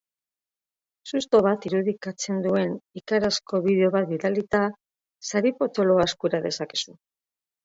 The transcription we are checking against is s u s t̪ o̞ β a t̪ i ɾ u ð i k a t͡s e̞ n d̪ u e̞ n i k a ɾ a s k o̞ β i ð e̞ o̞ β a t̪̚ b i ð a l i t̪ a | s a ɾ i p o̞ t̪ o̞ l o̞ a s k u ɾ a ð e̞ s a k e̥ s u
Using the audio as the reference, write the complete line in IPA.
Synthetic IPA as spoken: s u s t̪ o̞ β a t̪ i ɾ u ð i k a t͡s e̞ n d̪ u e̞ n i k a ɾ a s k o̞ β i ð e̞ o̞ β a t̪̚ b i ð a l i t̪ a | s a ɾ i p o̞ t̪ o̞ l o̞ a s k u ɾ a ð e̞ s a k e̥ s u

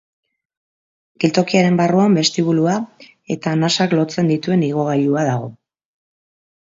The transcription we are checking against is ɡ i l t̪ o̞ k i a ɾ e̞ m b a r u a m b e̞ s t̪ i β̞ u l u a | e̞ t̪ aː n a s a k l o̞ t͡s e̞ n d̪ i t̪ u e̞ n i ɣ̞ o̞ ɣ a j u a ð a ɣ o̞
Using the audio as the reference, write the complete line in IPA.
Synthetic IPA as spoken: ɡ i l t̪ o̞ k i a ɾ e̞ m b a r u a m b e̞ s t̪ i β̞ u l u a | e̞ t̪ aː n a s a k l o̞ t͡s e̞ n d̪ i t̪ u e̞ n i ɣ̞ o̞ ɣ a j u a ð a ɣ o̞

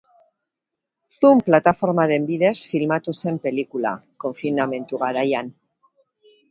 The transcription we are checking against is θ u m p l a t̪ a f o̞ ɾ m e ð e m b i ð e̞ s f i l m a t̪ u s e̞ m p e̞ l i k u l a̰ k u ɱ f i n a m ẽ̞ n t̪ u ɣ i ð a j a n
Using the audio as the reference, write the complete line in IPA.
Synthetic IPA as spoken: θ u m p l a t̪ a f o̞ ɾ m a ð e m b i ð e̞ s f i l m a t̪ u s e̞ m p e̞ l i k u l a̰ k o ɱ f i n a m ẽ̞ n t̪ u ɣ a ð a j a n

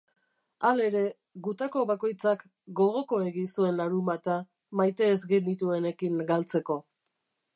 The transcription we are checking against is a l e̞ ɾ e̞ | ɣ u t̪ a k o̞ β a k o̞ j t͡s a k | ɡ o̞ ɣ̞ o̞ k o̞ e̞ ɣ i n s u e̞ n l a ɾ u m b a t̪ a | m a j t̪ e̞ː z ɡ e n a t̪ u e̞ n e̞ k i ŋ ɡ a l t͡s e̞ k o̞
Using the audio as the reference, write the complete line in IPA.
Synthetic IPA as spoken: a l e̞ ɾ e̞ | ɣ u t̪ a k o̞ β a k o̞ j t͡s a k | ɡ o̞ ɣ̞ o̞ k o̞ e̞ ɣ i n s u e̞ n l a ɾ u m b a t̪ a | m a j t̪ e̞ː z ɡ e n i t̪ u e̞ n e̞ k i ŋ ɡ a l t͡s e̞ k o̞

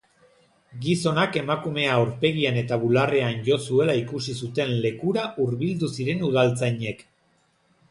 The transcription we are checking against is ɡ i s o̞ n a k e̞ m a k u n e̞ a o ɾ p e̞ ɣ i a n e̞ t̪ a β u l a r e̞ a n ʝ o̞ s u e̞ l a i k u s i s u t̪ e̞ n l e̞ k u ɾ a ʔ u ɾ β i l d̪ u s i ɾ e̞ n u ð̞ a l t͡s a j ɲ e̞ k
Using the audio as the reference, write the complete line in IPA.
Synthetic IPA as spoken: ɡ i s o̞ n a k e̞ m a k u m e̞ a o ɾ p e̞ ɣ i a n e̞ t̪ a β u l a r e̞ a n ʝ o̞ s u e̞ l a i k u s i s u t̪ e̞ n l e̞ k u ɾ a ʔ u ɾ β i l d̪ u s i ɾ e̞ n u ð̞ a l t͡s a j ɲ e̞ k

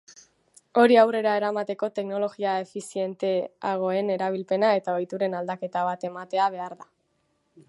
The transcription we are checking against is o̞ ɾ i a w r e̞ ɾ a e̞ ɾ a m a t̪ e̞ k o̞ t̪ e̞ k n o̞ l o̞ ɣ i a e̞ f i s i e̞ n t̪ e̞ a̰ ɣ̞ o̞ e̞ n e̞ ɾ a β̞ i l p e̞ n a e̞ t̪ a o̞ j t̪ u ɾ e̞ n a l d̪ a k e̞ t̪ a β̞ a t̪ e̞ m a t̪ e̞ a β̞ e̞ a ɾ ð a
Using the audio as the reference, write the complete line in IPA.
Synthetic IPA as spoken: o̞ ɾ i a w r e̞ ɾ a e̞ ɾ a m a t̪ e̞ k o̞ t̪ e̞ k n o̞ l o̞ ɣ i a e̞ f i s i e̞ n t̪ e̞ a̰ ɣ̞ o̞ e̞ n e̞ ɾ a β̞ i l p e̞ n a e̞ t̪ a o̞ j t̪ u ɾ e̞ n a l d̪ a k e̞ t̪ a β̞ a t̪ e̞ m a t̪ e̞ a β̞ e̞ a ɾ ð a

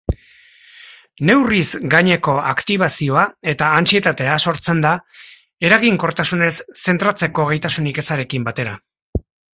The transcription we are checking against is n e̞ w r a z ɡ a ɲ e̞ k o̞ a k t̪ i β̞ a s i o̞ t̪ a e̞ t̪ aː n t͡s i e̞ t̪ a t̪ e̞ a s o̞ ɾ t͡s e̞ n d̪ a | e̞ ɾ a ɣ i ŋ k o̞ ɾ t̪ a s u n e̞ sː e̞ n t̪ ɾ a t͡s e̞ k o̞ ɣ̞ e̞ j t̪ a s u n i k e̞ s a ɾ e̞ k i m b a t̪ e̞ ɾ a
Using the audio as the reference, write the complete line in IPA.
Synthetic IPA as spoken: n e̞ w r i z ɡ a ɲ e̞ k o̞ a k t̪ i β̞ a s i o̞ a e̞ t̪ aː n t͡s i e̞ t̪ a t̪ e̞ a s o̞ ɾ t͡s e̞ n d̪ a | e̞ ɾ a ɣ i ŋ k o̞ ɾ t̪ a s u n e̞ sː e̞ n t̪ ɾ a t͡s e̞ k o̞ ɣ̞ e̞ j t̪ a s u n i k e̞ s a ɾ e̞ k i m b a t̪ e̞ ɾ a

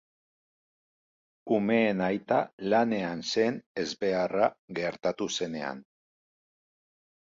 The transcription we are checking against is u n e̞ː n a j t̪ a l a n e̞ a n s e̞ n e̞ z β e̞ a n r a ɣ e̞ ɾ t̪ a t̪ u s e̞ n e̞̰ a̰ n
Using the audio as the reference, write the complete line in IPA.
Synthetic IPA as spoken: u m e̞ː n a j t̪ a l a n e̞ a n s e̞ n e̞ z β e̞ a r a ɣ e̞ ɾ t̪ a t̪ u s e̞ n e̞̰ a̰ n

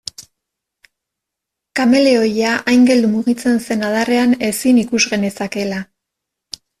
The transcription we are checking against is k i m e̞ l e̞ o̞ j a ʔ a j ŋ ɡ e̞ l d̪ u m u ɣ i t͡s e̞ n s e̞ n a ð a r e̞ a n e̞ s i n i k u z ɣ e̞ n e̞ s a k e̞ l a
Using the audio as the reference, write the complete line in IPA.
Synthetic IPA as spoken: k a m e̞ l e̞ o̞ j a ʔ a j ŋ ɡ e̞ l d̪ u m u ɣ i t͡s e̞ n s e̞ n a ð a r e̞ a n e̞ s i n i k u z ɣ e̞ n e̞ s a k e̞ l a

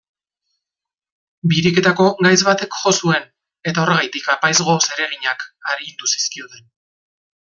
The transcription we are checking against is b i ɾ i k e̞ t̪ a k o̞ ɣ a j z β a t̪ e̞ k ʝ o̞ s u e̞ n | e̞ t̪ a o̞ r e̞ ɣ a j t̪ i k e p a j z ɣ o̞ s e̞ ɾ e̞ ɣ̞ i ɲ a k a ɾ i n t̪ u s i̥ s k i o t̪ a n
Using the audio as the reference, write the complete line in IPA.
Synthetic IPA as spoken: b i ɾ i k e̞ t̪ a k o̞ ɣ a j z β a t̪ e̞ k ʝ o̞ s u e̞ n | e̞ t̪ a o̞ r e̞ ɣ a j t̪ i k a p a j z ɣ o̞ s e̞ ɾ e̞ ɣ̞ i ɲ a k a ɾ i n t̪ u s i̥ s k i o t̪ e n

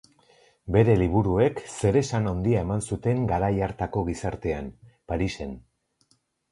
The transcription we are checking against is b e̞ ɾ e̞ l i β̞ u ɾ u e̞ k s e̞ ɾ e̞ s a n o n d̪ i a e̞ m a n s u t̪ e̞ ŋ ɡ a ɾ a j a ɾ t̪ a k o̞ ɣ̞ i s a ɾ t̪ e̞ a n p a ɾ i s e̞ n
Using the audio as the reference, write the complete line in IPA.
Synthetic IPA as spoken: b e̞ ɾ e̞ l i β̞ u ɾ u e̞ k s e̞ ɾ e̞ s a n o n d̪ i a e̞ m a n s u t̪ e̞ ŋ ɡ a ɾ a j a ɾ t̪ a k o̞ ɣ̞ i s a ɾ t̪ e̞ a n p a ɾ i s e̞ n

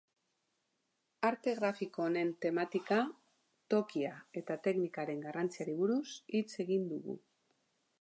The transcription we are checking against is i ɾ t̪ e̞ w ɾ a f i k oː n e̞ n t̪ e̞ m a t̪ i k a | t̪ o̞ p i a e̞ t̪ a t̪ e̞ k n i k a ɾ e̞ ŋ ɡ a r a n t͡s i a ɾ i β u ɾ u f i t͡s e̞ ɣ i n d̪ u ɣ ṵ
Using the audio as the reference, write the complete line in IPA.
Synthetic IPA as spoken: a ɾ t̪ e̞ ɣ ɾ a f i k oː n e̞ n t̪ e̞ m a t̪ i k a | t̪ o̞ k i a e̞ t̪ a t̪ e̞ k n i k a ɾ e̞ ŋ ɡ a r a n t͡s i a ɾ i β u ɾ u s i t͡s e̞ ɣ i n d̪ u ɣ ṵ

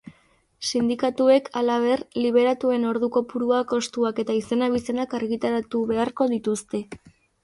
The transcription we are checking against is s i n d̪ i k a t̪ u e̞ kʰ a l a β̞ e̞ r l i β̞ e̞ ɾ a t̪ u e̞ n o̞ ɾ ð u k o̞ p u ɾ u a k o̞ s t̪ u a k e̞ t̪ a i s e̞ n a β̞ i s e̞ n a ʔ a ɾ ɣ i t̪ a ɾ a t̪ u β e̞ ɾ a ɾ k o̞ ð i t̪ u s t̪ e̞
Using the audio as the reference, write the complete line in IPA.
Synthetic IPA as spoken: s i n d̪ i k a t̪ u e̞ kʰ a l a β̞ e̞ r l i β̞ e̞ ɾ a t̪ u e̞ n o̞ ɾ ð u k o̞ p u ɾ u a k o̞ s t̪ u a k e̞ t̪ a i s e̞ n a β̞ i s e̞ n a k a ɾ ɣ i t̪ a ɾ a t̪ u β e̞ a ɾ k o̞ ð i t̪ u s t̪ e̞

